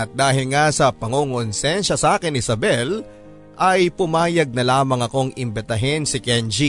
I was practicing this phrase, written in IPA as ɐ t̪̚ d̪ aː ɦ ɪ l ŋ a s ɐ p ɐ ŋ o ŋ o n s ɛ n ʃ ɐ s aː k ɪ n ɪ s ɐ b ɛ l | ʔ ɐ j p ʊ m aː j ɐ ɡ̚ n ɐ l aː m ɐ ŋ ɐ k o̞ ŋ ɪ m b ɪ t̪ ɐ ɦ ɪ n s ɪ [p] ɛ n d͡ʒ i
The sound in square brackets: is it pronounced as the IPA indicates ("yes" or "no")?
no